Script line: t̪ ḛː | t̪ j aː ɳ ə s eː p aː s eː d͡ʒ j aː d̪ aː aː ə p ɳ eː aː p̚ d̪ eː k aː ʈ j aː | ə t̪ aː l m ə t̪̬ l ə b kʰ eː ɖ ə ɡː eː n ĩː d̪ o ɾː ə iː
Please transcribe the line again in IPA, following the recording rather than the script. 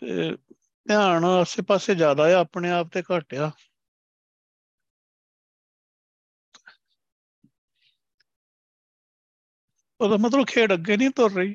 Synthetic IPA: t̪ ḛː | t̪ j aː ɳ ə s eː p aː s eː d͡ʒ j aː d̪ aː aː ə p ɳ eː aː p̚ t̪ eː k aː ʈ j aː | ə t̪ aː m ə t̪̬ l ə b kʰ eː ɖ ə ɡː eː n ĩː t̪ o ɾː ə iː